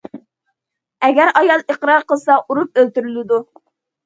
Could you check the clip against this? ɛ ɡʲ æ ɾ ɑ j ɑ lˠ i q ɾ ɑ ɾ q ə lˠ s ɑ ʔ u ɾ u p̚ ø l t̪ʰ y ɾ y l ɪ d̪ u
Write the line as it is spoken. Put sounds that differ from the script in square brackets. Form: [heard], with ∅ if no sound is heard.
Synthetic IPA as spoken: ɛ ɡʲ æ ɾ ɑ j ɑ lˠ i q ɾ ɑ ɾ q ə lˠ s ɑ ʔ u ɾ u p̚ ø l [t̪] y ɾ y l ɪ d̪ u